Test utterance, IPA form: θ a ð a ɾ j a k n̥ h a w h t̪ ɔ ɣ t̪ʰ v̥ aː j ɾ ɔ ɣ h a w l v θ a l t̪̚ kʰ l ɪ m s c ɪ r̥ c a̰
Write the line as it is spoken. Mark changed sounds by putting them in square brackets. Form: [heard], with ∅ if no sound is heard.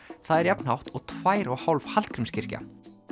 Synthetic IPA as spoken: θ a ð [ɛ] ɾ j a [p] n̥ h a w h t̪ ɔ ɣ t̪ʰ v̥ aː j ɾ ɔ ɣ h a w l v [h] a l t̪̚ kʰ [ɾ] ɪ m s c ɪ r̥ c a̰